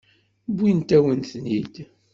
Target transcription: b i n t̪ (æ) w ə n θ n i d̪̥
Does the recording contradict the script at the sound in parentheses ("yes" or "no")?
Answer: no